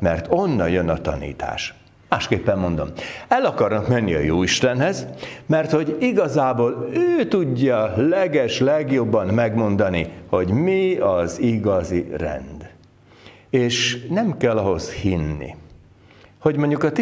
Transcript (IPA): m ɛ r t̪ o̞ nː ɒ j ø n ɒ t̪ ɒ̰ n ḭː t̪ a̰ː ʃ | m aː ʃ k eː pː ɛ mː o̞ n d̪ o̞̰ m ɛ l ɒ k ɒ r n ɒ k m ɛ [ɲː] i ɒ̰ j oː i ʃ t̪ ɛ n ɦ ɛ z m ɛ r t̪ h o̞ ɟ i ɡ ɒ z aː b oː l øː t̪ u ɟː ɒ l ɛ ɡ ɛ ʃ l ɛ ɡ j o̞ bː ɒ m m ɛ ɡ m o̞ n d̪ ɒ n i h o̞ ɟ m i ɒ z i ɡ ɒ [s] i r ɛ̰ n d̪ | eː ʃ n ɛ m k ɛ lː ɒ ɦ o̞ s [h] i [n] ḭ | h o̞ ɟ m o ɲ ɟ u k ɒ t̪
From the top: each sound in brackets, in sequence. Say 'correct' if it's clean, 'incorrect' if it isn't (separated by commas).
incorrect, incorrect, correct, incorrect